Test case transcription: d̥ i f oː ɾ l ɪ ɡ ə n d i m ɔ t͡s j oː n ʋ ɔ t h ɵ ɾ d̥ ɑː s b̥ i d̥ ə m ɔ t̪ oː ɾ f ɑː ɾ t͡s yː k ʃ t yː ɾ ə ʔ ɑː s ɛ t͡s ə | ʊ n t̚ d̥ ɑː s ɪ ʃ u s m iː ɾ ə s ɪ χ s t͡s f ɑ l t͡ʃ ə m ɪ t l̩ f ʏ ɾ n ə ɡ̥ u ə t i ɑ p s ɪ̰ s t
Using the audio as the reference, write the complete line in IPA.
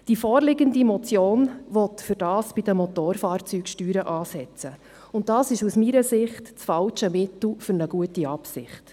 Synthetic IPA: d̥ i f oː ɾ l ɪ ɡ ə n d i m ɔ t͡s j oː n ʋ ɔ t f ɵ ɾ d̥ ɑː s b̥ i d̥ ə m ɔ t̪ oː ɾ f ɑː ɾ t͡s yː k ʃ t yː ɾ ə ʔ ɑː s ɛ t͡s ə | ʊ n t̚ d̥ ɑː s ɪ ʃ u s m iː ɾ ə s ɪ χ t t͡s f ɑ l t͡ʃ ə m ɪ t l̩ f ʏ ɾ n ə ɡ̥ u ə t i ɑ p s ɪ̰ χ t